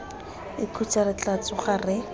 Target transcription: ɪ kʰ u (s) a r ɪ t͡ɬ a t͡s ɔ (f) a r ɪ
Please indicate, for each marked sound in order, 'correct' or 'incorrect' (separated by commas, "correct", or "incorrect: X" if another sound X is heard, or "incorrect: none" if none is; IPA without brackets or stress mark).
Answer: incorrect: t͡s, incorrect: χ